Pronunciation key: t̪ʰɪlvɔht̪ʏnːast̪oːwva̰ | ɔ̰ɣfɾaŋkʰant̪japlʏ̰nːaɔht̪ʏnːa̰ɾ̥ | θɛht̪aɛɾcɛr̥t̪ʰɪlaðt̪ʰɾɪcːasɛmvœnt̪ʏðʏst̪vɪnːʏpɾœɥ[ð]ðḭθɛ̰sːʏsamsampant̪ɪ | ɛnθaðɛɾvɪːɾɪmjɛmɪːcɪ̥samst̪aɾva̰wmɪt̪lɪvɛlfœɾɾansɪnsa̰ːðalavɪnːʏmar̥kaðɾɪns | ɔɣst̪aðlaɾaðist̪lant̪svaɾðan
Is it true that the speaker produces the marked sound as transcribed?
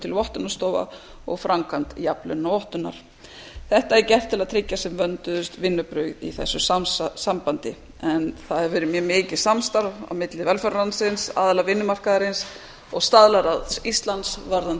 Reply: no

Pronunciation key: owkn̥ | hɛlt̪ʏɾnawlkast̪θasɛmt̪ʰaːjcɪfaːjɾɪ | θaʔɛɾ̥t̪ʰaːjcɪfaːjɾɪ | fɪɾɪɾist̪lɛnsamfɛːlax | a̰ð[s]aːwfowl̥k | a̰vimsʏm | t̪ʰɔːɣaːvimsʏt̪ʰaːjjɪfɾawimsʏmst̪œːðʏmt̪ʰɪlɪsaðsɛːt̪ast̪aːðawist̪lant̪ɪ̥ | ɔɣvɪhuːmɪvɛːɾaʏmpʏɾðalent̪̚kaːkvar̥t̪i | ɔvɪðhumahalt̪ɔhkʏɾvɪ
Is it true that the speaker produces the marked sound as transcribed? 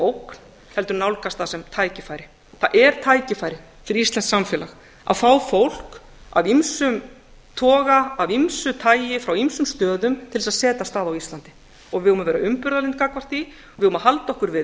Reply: no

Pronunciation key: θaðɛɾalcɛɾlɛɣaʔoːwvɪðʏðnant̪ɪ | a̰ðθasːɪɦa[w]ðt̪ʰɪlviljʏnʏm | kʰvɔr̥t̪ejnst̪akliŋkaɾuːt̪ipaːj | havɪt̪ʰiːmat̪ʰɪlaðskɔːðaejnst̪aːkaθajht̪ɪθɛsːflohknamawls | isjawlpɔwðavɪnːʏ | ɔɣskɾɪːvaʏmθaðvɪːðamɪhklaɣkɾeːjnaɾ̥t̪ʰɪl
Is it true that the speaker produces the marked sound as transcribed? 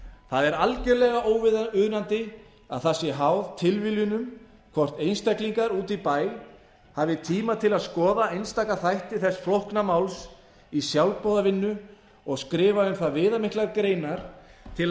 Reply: yes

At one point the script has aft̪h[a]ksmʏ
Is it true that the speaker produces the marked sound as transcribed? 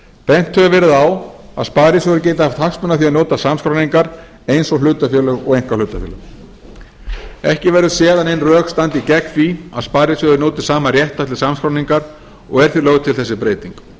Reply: yes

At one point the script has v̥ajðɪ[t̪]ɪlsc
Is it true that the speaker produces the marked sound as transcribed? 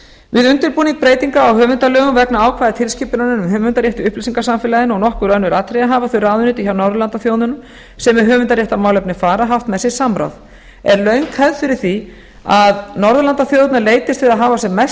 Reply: no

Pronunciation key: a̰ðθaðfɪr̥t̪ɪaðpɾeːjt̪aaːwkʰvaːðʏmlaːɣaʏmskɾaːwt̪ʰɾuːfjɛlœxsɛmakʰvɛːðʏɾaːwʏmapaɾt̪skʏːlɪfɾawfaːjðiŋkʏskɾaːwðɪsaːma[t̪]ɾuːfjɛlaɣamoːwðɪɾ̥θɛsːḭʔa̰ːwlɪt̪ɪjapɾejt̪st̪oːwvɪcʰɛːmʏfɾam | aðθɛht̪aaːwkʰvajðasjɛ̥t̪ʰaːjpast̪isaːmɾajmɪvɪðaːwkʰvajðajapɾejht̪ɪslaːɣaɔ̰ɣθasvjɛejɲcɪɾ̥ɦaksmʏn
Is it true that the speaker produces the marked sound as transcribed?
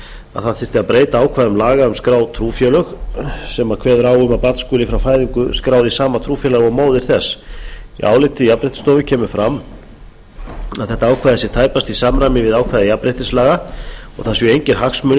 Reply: no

